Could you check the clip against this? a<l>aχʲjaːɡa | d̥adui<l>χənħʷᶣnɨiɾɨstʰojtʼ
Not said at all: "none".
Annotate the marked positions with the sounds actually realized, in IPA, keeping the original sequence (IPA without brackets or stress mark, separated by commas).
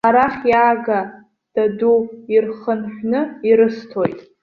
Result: ɾ, r